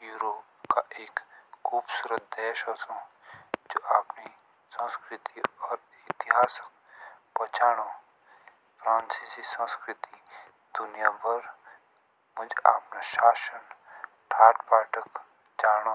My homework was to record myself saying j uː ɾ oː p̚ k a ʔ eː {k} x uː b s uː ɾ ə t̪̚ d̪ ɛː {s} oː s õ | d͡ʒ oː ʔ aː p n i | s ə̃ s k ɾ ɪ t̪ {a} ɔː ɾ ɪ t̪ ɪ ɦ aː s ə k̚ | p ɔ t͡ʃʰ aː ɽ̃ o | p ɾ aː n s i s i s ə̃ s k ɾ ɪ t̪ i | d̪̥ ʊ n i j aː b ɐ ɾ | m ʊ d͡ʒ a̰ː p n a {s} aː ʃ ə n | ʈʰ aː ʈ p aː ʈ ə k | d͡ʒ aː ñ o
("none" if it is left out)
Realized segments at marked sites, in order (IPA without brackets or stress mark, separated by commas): k, ʃ, i, ʃ